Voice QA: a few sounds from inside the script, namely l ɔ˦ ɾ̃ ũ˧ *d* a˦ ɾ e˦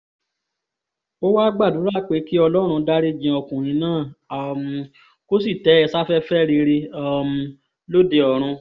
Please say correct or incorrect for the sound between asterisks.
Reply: correct